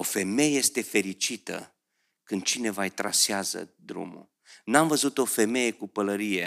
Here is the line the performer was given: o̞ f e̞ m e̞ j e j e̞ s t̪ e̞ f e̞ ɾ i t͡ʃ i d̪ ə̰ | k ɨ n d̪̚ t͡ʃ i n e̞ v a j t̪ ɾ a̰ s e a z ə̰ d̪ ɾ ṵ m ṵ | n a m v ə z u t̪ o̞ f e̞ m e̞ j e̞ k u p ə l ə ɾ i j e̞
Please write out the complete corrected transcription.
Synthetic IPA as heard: o̞ f e̞ m e̞ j e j e̞ s t̪ e̞ f e̞ ɾ i t͡ʃ i t̪ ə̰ | k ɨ n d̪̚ t͡ʃ i n e̞ v a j t̪ ɾ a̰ s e a z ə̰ d̪ ɾ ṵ m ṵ | n a m v ə z u t̪ o̞ f e̞ m e̞ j e̞ k u p ə l ə ɾ i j e̞